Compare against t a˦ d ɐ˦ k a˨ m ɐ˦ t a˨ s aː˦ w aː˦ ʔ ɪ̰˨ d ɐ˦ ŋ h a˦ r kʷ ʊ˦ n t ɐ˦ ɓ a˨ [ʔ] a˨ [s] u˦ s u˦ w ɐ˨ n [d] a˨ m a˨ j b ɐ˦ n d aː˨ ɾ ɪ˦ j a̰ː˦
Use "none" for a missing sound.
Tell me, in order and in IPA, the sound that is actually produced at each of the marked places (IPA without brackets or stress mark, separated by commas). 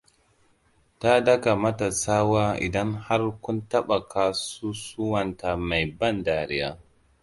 k, s, t